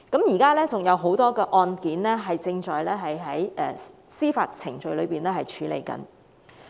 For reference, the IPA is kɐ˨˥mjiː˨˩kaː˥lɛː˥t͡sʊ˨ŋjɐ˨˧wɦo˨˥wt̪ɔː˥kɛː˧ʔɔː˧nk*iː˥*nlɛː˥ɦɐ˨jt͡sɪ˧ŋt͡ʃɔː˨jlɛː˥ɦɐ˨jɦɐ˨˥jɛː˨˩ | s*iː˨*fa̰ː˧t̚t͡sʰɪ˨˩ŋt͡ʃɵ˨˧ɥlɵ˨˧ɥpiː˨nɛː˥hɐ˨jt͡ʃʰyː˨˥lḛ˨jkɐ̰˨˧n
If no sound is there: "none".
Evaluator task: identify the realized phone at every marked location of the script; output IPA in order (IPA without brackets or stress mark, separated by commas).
iː˨˥, iː˥